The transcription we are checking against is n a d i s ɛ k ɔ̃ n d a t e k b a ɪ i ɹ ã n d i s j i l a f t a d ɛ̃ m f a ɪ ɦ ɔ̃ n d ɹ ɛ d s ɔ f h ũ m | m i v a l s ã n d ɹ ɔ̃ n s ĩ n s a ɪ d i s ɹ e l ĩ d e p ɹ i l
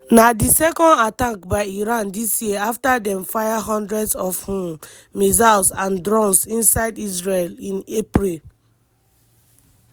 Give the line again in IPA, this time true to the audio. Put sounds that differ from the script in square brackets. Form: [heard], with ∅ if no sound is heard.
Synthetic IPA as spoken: n a d i s ɛ k ɔ̃ n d a t [a] k b a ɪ i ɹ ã n d i s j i [∅] a f t a d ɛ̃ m f a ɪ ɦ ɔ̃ n d ɹ ɛ d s ɔ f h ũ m | m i [z] a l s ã n d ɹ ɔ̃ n s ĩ n s a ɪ d i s ɹ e l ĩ [n] e p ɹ i l